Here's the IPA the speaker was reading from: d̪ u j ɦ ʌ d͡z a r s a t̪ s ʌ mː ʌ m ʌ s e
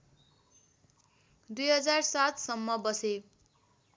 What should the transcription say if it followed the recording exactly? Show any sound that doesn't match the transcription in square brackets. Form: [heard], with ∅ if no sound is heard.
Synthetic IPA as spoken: d̪ u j ɦ ʌ d͡z a r s a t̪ s ʌ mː ʌ [b] ʌ s e